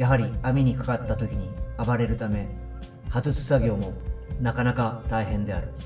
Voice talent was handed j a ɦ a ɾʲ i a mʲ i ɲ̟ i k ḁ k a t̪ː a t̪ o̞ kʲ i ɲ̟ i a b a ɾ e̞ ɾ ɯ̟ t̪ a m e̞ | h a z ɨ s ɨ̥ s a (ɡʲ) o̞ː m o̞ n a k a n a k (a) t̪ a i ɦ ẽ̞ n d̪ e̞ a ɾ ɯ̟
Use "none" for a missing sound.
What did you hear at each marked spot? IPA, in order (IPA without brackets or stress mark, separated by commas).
ɡʲ, a